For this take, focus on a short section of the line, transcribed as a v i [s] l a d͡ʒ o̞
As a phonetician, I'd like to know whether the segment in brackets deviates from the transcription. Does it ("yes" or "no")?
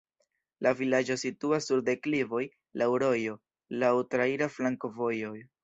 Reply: yes